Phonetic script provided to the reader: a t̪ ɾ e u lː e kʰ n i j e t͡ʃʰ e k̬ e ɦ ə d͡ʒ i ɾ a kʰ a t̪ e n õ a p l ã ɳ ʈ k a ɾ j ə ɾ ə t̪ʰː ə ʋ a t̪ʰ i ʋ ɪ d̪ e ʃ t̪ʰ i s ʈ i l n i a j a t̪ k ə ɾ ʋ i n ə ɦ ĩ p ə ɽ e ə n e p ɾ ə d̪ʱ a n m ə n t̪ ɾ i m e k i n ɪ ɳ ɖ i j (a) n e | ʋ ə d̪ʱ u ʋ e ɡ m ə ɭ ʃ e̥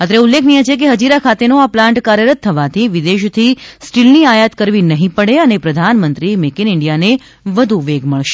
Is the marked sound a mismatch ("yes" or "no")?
no